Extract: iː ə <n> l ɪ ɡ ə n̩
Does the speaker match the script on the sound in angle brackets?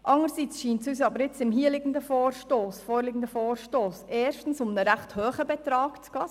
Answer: no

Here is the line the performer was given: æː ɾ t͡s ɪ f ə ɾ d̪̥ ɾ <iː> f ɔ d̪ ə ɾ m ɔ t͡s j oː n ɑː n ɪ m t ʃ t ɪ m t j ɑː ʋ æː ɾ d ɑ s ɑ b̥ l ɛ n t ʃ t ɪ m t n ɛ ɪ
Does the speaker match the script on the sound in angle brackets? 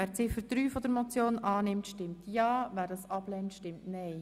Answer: no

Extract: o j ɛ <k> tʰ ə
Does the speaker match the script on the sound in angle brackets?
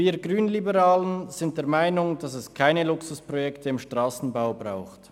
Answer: yes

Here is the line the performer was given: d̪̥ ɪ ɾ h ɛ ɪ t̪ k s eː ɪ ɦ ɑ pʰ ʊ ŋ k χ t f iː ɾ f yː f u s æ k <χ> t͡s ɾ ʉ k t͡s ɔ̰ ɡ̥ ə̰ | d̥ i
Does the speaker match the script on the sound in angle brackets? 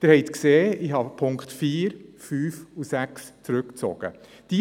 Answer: no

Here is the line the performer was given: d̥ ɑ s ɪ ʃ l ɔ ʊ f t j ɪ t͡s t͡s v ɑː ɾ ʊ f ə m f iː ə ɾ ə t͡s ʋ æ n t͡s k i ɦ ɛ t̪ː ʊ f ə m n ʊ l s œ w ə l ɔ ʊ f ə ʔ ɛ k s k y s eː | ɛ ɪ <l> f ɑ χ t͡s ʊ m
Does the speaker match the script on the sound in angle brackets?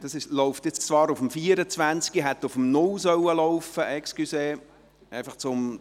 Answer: no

